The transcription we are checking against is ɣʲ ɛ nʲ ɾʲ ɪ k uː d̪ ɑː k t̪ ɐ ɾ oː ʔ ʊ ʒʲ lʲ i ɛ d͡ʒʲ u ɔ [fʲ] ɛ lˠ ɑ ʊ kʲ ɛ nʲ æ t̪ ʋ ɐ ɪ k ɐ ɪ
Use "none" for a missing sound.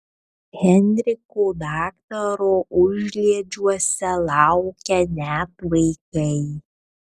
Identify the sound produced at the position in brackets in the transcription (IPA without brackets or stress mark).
sʲ